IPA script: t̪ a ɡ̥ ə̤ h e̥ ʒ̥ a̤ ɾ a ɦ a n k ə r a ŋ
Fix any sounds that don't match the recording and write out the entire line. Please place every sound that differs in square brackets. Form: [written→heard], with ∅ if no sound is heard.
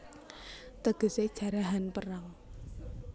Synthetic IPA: t̪ [a→ə] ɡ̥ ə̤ [h→s] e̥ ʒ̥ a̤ ɾ a ɦ a n [k→p] ə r a ŋ